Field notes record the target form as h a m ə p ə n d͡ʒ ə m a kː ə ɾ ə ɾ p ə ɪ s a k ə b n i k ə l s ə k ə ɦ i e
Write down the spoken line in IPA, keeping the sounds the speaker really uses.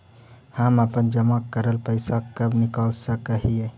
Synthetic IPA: h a m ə p ə n d͡ʒ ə m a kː ə ɾ ə l p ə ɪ s a k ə b n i k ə l s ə k ə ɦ i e